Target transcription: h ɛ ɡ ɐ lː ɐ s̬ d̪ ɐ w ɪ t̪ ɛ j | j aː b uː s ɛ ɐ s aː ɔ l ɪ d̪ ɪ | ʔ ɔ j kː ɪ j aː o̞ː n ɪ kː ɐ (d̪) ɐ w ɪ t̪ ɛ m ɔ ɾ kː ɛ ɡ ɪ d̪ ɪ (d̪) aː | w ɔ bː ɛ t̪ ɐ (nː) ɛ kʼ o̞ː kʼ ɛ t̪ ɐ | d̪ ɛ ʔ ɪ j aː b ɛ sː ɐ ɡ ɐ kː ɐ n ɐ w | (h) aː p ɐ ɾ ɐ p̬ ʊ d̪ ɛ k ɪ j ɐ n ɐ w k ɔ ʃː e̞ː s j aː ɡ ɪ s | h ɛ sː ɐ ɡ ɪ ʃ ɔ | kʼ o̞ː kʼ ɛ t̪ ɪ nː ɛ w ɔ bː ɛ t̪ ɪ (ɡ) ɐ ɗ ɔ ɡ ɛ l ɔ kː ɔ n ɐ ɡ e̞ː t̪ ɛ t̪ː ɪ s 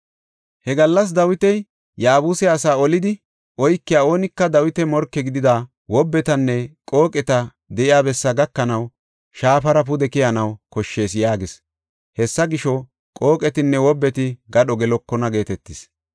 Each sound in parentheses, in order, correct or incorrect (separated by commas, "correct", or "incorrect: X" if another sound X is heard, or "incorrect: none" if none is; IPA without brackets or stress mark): correct, correct, correct, incorrect: ʃ, correct